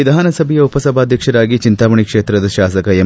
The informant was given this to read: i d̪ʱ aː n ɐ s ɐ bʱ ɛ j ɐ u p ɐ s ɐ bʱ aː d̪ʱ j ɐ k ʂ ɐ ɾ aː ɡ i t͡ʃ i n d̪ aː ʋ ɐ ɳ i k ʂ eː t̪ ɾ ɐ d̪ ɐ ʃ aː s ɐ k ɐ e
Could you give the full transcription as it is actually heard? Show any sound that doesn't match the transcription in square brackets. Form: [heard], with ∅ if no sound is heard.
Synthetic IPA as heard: i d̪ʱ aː n ɐ s ɐ bʱ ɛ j ɐ u p ɐ s ɐ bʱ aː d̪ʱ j ɐ k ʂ ɐ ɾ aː ɡ i t͡ʃ i n [t̪] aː ʋ ɐ ɳ i k ʂ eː t̪ ɾ ɐ d̪ ɐ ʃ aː s ɐ k ɐ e